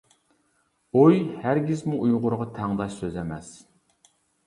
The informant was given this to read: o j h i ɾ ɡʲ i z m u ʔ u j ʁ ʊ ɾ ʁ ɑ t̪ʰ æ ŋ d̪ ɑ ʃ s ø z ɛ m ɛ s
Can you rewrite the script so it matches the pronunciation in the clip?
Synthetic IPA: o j h æ ɾ ɡʲ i z m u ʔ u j ʁ ʊ ɾ ʁ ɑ t̪ʰ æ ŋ d̪ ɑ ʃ s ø z ɛ m ɛ s